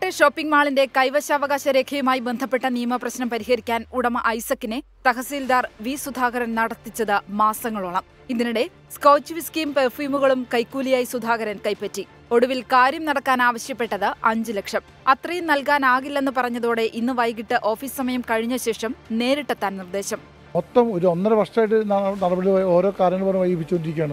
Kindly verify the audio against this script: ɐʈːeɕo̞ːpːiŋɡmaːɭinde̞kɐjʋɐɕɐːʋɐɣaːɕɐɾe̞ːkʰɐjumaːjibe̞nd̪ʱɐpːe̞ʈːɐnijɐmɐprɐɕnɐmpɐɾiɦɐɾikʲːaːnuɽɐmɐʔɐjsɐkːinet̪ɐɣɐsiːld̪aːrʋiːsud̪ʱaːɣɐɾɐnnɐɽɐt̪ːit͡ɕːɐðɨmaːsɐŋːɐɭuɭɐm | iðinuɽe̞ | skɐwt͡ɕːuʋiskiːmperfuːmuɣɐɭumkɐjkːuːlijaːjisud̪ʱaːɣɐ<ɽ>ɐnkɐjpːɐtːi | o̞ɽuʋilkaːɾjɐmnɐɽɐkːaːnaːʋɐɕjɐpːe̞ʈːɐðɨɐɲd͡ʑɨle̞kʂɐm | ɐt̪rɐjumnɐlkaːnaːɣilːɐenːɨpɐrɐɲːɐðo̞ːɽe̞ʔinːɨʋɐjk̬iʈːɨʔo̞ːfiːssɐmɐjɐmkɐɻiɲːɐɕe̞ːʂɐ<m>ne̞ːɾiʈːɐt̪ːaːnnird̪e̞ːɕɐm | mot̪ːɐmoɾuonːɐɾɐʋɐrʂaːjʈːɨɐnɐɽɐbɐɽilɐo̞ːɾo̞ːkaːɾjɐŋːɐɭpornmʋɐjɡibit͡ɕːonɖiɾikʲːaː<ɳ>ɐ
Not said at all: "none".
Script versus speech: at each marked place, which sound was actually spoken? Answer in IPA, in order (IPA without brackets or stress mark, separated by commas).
ɾ, m, ɳ